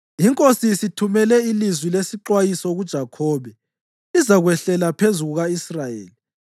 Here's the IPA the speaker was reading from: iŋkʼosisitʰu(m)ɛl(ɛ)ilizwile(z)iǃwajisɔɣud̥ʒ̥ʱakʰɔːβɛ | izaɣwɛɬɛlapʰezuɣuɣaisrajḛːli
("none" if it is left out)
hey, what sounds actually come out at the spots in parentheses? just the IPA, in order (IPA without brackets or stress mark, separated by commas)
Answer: m, ɛ, s